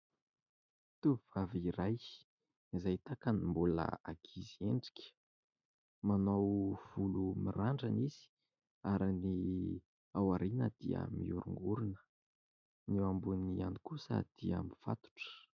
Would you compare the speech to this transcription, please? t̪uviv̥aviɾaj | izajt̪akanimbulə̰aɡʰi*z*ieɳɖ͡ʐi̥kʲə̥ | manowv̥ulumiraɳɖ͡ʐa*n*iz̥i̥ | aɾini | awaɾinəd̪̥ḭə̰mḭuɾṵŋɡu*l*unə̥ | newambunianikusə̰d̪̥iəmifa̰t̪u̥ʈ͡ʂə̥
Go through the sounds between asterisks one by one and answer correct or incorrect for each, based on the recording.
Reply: correct, correct, incorrect: ɾ

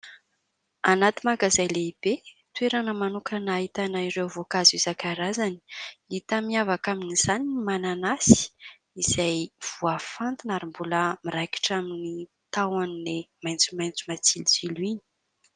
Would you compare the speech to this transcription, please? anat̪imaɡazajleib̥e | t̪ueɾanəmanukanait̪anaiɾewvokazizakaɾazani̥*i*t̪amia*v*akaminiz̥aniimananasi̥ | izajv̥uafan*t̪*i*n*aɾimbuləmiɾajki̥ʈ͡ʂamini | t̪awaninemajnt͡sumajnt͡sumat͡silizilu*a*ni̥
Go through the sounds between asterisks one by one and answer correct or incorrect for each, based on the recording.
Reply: correct, correct, correct, correct, incorrect: i

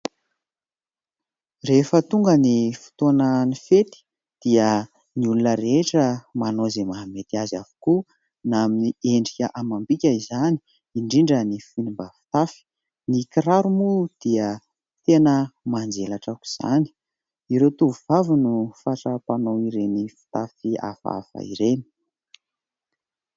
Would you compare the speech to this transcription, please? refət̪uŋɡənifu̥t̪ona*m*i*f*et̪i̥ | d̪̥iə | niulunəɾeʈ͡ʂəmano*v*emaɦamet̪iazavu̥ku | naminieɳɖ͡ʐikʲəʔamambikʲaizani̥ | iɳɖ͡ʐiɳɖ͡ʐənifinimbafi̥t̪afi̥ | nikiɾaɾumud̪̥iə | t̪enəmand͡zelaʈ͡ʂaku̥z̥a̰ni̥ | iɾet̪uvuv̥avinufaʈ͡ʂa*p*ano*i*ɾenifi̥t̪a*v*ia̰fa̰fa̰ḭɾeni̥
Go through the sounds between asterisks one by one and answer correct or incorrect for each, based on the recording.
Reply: incorrect: n, correct, incorrect: z, correct, correct, incorrect: f

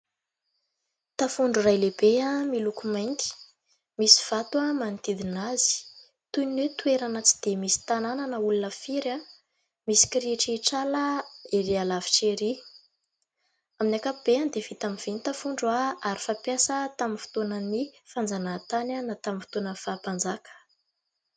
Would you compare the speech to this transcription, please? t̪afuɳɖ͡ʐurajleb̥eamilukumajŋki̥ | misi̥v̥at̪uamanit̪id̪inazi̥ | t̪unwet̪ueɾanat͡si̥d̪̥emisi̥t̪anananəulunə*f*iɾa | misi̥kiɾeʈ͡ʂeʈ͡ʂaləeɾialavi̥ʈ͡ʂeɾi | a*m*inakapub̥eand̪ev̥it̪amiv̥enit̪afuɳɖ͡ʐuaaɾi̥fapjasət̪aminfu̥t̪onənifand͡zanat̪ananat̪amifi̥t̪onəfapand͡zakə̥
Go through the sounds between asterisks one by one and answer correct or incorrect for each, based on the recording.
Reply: correct, correct

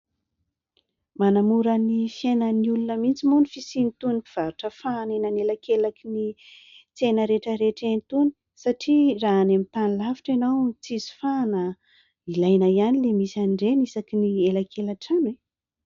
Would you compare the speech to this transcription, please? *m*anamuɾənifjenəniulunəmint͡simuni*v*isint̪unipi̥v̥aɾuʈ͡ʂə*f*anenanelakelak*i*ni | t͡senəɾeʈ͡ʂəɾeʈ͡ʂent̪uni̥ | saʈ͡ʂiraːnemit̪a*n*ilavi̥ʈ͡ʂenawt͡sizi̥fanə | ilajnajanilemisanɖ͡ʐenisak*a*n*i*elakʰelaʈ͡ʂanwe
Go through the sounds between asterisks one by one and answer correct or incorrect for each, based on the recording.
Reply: correct, incorrect: f, correct, correct, correct, incorrect: i, correct

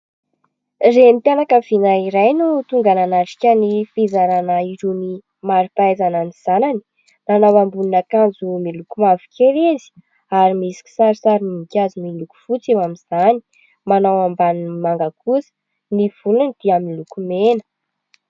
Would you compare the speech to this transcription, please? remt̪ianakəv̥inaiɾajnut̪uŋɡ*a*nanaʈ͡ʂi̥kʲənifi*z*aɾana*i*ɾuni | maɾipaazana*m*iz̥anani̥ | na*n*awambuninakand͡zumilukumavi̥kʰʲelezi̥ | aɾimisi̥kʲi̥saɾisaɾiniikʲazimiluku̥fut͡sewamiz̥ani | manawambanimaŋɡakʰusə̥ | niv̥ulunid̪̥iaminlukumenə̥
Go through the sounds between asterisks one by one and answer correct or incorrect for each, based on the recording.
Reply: correct, correct, correct, incorrect: n, correct

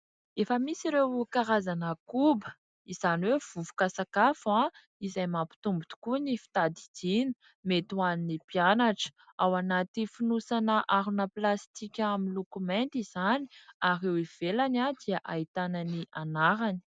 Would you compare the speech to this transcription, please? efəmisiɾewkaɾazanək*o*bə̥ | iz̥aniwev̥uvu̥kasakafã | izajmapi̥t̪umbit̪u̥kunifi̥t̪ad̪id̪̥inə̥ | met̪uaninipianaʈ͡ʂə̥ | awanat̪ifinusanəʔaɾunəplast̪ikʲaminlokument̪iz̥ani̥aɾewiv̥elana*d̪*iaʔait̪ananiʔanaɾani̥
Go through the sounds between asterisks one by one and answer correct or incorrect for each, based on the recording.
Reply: incorrect: u, correct

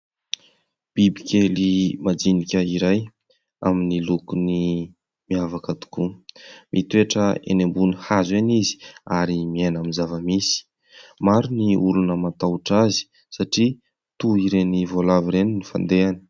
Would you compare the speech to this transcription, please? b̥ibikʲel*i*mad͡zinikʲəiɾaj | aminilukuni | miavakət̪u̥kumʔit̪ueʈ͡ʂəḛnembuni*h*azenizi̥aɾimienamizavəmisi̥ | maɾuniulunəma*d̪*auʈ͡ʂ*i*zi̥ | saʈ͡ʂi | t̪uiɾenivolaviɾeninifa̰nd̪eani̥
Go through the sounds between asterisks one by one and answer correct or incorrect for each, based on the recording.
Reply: correct, correct, incorrect: t̪, incorrect: a

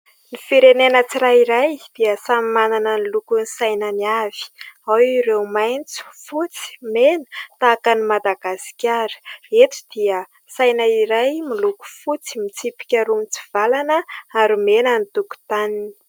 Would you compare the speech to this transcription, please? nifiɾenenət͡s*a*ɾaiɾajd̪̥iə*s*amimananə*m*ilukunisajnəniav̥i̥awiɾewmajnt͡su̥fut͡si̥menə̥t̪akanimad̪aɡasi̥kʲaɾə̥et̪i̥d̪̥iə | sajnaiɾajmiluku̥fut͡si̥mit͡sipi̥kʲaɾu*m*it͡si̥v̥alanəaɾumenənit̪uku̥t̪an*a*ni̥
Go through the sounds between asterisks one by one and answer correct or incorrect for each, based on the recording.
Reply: incorrect: i, correct, incorrect: n, correct, incorrect: i

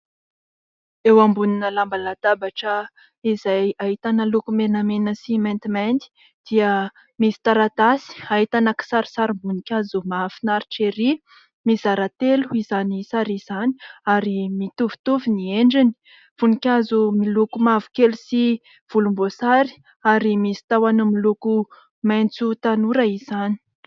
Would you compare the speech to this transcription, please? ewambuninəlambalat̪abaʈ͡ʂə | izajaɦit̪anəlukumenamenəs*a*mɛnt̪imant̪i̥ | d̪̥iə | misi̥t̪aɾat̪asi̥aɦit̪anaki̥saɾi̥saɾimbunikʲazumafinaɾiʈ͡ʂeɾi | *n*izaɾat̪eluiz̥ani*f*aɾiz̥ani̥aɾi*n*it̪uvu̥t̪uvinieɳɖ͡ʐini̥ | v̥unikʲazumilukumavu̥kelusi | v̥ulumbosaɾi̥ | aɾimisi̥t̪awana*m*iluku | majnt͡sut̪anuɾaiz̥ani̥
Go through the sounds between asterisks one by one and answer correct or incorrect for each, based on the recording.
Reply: incorrect: i, incorrect: m, incorrect: s, incorrect: m, correct

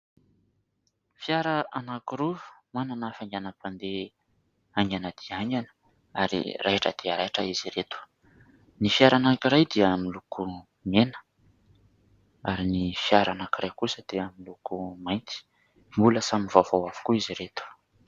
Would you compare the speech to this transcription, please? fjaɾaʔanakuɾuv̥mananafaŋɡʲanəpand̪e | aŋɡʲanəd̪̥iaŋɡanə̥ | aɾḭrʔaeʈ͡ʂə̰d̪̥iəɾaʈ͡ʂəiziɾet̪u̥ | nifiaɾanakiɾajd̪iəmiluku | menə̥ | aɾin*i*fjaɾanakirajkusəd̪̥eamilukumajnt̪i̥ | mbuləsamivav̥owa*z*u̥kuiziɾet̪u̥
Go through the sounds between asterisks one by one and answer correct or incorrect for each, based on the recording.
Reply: correct, incorrect: v

